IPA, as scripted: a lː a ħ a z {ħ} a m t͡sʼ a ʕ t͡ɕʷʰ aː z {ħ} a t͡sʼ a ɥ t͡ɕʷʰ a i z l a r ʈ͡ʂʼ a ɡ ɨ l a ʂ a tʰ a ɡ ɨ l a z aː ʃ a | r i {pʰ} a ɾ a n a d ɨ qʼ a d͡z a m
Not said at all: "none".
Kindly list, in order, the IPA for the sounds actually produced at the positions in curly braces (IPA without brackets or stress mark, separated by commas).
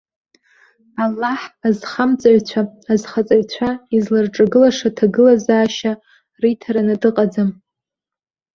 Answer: χ, χ, tʰ